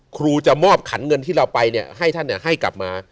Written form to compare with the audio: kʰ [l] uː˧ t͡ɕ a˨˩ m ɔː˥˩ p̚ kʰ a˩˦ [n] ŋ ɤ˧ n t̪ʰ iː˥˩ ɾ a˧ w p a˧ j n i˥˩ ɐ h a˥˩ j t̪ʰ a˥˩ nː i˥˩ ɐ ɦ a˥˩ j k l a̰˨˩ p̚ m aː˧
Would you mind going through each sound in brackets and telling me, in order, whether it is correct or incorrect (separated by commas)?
incorrect, correct